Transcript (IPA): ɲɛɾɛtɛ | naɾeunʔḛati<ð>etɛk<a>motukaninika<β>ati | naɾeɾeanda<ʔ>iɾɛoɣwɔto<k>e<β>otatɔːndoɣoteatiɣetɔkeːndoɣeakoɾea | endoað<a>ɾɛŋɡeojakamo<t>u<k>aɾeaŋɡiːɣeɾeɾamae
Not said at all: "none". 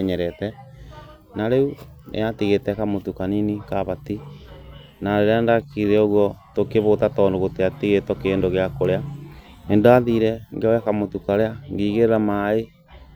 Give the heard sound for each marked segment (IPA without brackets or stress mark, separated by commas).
ɣ, a, β, k, k, β, i, t, k